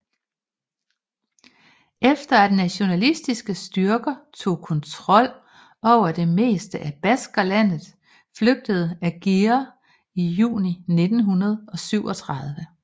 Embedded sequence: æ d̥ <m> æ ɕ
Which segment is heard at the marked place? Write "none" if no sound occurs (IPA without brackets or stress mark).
n